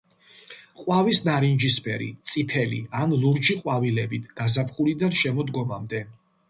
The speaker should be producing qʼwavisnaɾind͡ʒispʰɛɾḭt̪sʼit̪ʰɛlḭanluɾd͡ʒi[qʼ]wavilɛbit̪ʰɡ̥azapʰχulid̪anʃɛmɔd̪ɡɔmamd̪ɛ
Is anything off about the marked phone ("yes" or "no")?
no